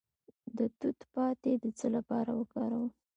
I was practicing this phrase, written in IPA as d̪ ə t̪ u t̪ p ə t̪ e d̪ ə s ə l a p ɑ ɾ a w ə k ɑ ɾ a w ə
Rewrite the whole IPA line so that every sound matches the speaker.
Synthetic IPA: d̪ ə t̪ u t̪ p ɑ t̪ e d̪ ə t͡s ə l a p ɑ ɾ a w ə k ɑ ɾ a w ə